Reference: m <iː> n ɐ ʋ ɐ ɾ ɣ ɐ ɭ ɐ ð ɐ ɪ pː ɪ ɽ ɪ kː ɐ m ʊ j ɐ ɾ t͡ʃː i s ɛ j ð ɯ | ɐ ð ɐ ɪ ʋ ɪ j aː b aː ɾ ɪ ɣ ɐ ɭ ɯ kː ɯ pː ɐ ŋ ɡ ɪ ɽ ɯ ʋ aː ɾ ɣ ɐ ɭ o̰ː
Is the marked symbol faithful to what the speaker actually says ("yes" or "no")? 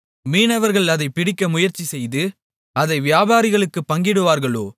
yes